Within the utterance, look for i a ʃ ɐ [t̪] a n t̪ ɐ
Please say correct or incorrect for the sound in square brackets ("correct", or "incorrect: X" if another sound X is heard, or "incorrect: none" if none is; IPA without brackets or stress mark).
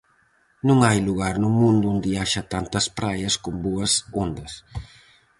correct